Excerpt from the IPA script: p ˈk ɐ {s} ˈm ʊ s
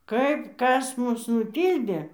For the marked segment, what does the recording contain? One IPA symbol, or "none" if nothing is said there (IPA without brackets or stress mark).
s